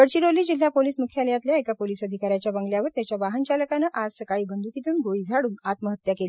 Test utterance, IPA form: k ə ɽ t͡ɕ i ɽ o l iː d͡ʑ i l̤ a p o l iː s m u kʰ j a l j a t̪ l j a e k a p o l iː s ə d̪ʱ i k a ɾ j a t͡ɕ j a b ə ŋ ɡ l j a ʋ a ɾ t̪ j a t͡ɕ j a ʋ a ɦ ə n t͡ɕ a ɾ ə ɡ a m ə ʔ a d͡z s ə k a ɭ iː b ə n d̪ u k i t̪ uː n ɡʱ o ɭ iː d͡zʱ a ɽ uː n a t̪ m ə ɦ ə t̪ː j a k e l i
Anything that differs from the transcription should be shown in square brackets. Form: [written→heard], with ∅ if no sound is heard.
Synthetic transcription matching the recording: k ə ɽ t͡ɕ i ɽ o l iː d͡ʑ i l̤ a p o l iː s m u kʰ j a l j a t̪ l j a e k a p o l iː s ə d̪ʱ i k a ɾ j a t͡ɕ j a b ə ŋ ɡ l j a ʋ [a→ə] ɾ t̪ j a t͡ɕ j a ʋ a ɦ ə n t͡ɕ a [ɾ→l] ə [ɡ→k] a [m→n] ə ʔ a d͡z s ə k a ɭ iː b ə n d̪ u k i t̪ uː n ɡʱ o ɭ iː d͡zʱ a ɽ uː n a t̪ m ə ɦ ə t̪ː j a k e l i